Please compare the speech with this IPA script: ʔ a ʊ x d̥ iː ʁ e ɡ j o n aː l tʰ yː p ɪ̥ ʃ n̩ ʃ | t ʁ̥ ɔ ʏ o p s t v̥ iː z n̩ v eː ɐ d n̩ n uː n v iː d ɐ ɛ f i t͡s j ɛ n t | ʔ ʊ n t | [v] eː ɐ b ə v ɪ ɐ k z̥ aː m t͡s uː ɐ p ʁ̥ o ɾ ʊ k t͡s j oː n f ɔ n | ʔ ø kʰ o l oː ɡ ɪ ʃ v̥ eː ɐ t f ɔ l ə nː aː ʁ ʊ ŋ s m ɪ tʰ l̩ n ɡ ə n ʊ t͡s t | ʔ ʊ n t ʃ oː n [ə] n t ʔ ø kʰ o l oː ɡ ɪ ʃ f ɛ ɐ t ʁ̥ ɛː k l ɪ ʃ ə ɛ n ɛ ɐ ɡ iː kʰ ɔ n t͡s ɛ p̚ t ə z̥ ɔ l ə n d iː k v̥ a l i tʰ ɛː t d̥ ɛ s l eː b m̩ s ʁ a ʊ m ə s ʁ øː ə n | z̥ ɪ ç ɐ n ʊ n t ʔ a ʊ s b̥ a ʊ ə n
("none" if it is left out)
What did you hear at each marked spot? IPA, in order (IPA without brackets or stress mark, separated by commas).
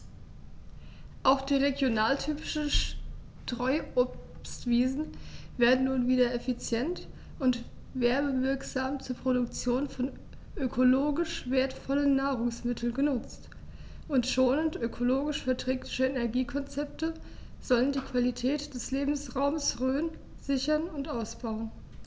v, ə